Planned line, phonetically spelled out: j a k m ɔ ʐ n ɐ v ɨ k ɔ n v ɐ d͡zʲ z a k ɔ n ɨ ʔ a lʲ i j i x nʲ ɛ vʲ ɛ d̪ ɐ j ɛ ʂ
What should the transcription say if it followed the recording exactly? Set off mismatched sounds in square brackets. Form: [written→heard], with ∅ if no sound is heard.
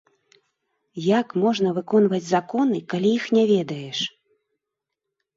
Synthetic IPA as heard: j a k m ɔ ʐ n ɐ v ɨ k ɔ n v ɐ d͡zʲ z a k ɔ n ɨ [ʔ→k] a lʲ i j i x nʲ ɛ vʲ ɛ d̪ ɐ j ɛ ʂ